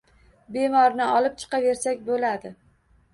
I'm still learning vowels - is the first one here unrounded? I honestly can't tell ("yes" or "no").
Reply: yes